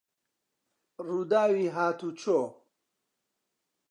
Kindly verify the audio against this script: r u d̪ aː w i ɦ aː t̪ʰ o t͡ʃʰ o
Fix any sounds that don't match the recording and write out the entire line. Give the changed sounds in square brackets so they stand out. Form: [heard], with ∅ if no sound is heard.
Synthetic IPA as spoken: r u d̪ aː w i ɦ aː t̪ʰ [u] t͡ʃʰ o